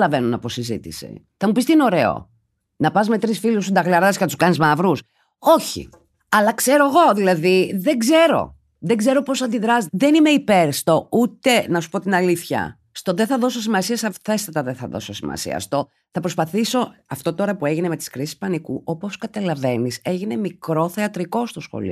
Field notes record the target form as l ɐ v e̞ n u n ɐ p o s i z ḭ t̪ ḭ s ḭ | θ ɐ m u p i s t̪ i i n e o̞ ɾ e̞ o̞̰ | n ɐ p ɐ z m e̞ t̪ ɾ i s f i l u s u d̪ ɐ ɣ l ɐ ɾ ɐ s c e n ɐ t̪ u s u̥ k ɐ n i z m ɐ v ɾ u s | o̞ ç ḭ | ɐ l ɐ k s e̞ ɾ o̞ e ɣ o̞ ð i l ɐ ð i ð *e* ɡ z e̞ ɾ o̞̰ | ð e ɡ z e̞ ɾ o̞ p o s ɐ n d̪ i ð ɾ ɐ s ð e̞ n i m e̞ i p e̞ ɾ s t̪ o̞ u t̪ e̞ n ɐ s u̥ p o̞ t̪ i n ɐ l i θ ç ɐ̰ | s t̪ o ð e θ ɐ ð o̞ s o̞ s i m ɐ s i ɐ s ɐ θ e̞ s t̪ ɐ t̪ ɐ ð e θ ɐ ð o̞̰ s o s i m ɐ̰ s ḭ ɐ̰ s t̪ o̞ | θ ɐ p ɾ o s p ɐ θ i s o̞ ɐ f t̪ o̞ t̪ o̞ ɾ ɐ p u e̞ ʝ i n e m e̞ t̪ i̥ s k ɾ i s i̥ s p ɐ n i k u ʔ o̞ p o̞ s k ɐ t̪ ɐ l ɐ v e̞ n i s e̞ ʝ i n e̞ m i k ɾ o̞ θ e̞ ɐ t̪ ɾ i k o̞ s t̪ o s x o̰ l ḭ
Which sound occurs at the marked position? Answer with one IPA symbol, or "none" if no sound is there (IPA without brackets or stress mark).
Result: e